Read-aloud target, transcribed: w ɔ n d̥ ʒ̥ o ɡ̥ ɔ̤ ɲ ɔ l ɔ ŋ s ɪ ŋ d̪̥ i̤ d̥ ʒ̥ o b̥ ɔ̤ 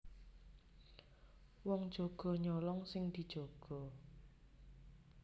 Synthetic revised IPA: w ɔ ŋ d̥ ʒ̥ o ɡ̥ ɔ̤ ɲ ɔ l ɔ ŋ s ɪ ŋ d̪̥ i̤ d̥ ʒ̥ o ɡ̥ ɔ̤